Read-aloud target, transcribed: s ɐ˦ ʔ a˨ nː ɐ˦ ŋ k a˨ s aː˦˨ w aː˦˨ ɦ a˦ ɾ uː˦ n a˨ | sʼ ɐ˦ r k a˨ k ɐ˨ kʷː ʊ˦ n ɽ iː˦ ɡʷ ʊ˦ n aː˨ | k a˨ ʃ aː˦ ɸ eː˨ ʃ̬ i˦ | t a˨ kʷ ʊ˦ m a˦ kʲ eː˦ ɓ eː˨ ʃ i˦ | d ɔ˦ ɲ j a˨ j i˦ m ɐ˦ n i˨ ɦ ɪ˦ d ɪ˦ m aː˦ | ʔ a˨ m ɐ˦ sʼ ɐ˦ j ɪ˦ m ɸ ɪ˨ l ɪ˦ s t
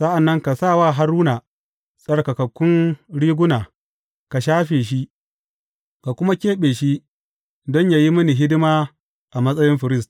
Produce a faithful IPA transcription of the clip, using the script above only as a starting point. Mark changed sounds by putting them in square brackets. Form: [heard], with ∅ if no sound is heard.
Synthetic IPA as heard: s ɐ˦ ʔ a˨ nː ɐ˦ ŋ k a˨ s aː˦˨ w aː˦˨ ɦ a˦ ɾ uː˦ n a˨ | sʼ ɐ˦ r k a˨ k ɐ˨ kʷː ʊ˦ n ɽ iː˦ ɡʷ ʊ˦ n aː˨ | k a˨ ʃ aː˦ ɸ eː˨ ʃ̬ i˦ | [k] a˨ kʷ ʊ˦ m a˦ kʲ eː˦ ɓ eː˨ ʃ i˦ | d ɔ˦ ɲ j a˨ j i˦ m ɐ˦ n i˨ ɦ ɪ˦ d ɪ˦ m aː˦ | ʔ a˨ m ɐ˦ sʼ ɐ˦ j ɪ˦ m ɸ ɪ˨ [ɾ] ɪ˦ s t